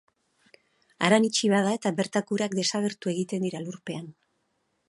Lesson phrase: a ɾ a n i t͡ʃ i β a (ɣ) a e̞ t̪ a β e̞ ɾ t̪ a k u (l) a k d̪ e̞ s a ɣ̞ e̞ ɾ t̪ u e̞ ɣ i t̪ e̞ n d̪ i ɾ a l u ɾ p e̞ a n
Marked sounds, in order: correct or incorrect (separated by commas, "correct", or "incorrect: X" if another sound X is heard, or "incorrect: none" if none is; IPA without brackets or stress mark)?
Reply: incorrect: ð, incorrect: ɾ